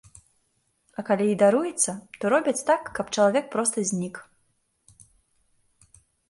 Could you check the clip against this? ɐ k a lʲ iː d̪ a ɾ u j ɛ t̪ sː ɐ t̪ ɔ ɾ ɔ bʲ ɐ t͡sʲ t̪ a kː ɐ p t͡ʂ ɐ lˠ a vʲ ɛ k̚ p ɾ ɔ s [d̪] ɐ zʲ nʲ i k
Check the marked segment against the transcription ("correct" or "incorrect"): incorrect